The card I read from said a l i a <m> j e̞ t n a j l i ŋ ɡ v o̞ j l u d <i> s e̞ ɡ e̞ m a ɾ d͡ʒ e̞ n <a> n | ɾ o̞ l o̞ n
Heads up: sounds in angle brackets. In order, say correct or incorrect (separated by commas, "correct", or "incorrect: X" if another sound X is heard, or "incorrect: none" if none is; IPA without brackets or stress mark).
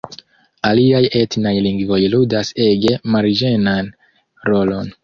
incorrect: none, incorrect: a, correct